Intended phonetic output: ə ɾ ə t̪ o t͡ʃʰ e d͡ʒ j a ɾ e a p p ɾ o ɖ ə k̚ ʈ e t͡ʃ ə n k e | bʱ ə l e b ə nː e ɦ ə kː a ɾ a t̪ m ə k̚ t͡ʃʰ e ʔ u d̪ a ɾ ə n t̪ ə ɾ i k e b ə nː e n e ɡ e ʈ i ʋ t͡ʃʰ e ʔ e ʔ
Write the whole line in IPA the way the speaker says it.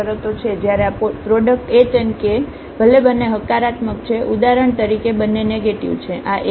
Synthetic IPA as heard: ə ɾ ə t̪ o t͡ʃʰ e d͡ʒ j a ɾ e a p p ɾ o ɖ ə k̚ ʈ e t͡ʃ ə n k e | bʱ ə l e b ə nː e ɦ ə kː a ɾ a t̪ m ə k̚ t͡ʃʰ e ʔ u d̪ a ɾ ə ɳ t̪ ə ɾ i k e b ə nː e n e ɡ e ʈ i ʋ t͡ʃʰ e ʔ a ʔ